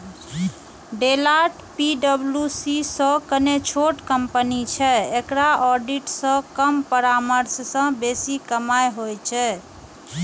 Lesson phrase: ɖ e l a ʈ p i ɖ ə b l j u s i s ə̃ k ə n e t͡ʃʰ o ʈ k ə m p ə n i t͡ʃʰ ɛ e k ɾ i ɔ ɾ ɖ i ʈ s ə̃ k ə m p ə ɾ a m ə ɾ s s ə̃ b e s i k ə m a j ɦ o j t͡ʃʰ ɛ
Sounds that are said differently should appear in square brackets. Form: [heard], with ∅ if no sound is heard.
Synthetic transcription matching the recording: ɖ e l a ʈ p i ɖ ə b l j u s i s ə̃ k ə n e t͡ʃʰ o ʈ k ə m p ə n i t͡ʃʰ ɛ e k ɾ [a] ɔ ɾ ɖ i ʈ s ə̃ k ə m p ə ɾ a m ə ɾ s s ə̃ b e s i k ə m a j ɦ o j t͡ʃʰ ɛ

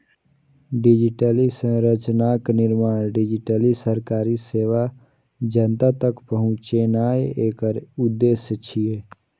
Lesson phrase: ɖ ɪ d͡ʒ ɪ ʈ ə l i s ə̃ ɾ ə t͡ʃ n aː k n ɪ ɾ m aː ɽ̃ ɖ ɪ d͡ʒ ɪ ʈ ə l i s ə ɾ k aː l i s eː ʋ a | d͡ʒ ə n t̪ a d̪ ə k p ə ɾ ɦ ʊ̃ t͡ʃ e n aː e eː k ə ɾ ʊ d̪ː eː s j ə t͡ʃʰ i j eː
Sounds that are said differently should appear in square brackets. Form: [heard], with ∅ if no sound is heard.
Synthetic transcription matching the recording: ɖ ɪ d͡ʒ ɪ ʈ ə l i s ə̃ ɾ ə t͡ʃ n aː k n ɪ ɾ m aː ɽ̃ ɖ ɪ d͡ʒ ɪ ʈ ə l i s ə ɾ k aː [ɾ] i s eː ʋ a | d͡ʒ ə n t̪ a [t̪] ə k p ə [∅] ɦ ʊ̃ t͡ʃ e n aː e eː k ə ɾ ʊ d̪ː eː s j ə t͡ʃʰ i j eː

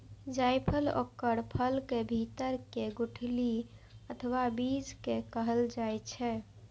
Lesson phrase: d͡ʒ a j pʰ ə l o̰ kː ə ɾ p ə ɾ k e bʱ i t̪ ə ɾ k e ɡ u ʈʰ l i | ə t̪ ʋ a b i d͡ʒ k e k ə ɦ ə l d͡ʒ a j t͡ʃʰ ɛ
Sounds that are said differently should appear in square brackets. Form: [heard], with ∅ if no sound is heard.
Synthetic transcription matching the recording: d͡ʒ a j pʰ ə l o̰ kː ə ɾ [pʰ] ə [l] k e bʱ i t̪ ə ɾ k e ɡ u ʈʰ l i | ə [t̪ʰ] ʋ a b i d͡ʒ k e k ə ɦ ə l d͡ʒ a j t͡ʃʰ ɛ

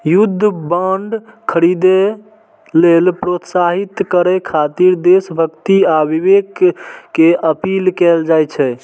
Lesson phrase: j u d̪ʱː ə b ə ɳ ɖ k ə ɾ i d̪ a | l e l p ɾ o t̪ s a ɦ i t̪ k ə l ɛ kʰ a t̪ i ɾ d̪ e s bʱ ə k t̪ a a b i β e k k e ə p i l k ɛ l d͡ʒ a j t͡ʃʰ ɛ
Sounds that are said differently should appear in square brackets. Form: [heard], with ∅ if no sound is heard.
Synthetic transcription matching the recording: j u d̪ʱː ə b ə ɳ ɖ [kʰ] ə ɾ i d̪ [e] | l e l p ɾ o t̪ s a ɦ i t̪ k ə [ɾ] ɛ kʰ a t̪ i ɾ d̪ e s bʱ ə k t̪ [i] a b i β e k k e ə p i l k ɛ l d͡ʒ a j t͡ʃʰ ɛ

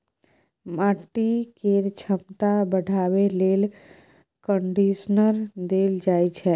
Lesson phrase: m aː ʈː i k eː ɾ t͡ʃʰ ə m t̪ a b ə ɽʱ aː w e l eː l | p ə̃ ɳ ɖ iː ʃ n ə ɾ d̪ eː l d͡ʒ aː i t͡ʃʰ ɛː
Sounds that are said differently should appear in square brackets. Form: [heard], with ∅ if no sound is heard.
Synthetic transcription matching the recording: m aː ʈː i k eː ɾ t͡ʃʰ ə m t̪ a b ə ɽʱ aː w e l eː l | [k] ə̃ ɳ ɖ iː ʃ n ə ɾ d̪ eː l d͡ʒ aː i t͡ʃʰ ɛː

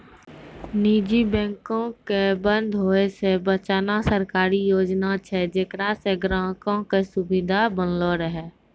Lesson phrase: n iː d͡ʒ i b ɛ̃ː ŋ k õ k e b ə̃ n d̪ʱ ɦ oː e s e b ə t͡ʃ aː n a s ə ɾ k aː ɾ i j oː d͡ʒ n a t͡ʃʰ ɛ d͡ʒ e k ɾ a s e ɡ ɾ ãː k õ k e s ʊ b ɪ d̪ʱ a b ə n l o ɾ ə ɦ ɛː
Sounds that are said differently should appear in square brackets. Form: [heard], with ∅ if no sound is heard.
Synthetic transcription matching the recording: n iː d͡ʒ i b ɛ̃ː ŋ k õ k e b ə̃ n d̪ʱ ɦ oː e s e b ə t͡ʃ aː n a s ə ɾ k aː ɾ i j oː d͡ʒ n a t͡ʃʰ ɛ d͡ʒ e k ɾ a s e ɡ ɾ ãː k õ k e s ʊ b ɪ d̪ʱ a b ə n l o ɾ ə ɦ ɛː

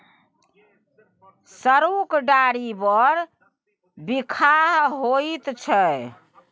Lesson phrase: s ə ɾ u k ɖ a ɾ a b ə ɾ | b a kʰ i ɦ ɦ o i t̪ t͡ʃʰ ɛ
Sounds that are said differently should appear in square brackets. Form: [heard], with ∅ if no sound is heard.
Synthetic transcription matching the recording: s ə ɾ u k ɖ a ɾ [i] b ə ɾ | b [i] kʰ [a] ɦ ɦ o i t̪ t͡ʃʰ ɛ

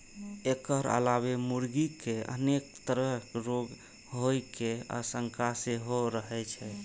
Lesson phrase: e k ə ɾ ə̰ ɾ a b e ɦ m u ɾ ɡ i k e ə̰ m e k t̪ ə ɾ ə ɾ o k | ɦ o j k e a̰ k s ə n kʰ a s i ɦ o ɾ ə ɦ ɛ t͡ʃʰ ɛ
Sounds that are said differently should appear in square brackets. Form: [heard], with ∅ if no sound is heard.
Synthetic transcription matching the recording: e k ə ɾ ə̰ [l] a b e [∅] m u ɾ ɡ i k e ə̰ [n] e k t̪ ə ɾ ə ɾ o [ɡ] | ɦ o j k e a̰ [∅] s ə [ŋ] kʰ a s [e] ɦ o ɾ ə ɦ ɛ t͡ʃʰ ɛ

